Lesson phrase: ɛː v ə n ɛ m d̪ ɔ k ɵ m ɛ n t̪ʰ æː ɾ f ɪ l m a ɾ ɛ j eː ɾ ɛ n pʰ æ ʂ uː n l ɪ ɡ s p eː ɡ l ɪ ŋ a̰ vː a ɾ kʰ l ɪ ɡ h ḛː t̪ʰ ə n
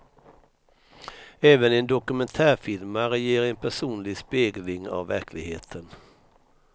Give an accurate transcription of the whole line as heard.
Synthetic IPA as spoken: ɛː v ə n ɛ n d̪ ɔ k ɵ m ɛ n t̪ʰ æː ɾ f ɪ l m a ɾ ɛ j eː ɾ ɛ n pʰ æ ʂ uː n l ɪ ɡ s p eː ɡ l ɪ ŋ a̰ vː æ ɾ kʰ l ɪ ɡ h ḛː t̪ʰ ə n